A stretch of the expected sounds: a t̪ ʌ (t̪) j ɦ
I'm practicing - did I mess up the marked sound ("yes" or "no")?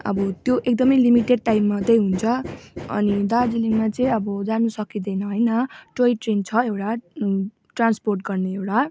yes